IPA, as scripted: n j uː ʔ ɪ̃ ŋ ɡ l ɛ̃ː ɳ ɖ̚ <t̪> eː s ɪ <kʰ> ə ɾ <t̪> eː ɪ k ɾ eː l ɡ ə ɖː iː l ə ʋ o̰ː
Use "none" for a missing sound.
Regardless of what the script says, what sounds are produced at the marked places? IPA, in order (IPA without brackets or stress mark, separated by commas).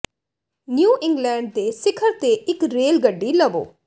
d̪, kʰ, t̪